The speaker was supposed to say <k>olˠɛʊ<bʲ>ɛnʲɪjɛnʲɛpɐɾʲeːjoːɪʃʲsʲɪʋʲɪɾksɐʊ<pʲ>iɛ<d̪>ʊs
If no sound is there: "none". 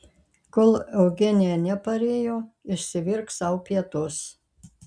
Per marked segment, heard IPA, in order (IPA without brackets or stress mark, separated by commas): k, ɡʲ, pʲ, t̪